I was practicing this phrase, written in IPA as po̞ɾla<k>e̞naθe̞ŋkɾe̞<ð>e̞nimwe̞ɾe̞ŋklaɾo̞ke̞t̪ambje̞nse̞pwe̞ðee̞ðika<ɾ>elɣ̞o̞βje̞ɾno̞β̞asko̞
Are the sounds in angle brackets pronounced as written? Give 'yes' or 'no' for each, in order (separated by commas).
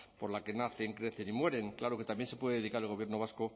yes, no, yes